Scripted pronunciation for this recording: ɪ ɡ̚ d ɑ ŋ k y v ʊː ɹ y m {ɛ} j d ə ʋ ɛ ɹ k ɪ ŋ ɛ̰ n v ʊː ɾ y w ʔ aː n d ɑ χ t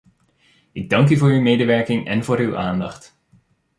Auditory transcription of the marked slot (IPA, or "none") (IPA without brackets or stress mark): e